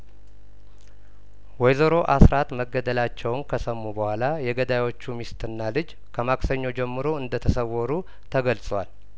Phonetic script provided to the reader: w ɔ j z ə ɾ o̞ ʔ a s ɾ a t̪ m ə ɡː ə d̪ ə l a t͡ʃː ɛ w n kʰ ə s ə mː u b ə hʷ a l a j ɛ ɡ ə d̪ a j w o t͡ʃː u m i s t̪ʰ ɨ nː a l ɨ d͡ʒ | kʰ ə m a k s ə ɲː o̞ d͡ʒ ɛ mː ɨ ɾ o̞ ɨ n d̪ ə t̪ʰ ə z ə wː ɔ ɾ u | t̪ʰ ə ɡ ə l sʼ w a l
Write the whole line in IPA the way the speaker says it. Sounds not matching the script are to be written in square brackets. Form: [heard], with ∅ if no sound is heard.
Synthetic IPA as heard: w ɔ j z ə ɾ o̞ ʔ a s ɾ a t̪ m ə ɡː ə d̪ ə l a t͡ʃː ɛ w n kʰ ə s ə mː u b ə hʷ a l a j ɛ ɡ ə d̪ a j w o t͡ʃː u m i s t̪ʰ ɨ nː a l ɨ d͡ʒ | kʰ ə m a k s ə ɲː o̞ d͡ʒ ɛ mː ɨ ɾ o̞ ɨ n d̪ ə t̪ʰ ə [s] ə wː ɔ ɾ u | t̪ʰ ə ɡ ə l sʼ w a l